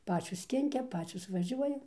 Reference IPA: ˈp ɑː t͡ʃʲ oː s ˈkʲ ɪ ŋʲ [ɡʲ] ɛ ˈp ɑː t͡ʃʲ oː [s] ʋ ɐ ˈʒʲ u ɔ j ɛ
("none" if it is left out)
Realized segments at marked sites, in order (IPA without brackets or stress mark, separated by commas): kʲ, s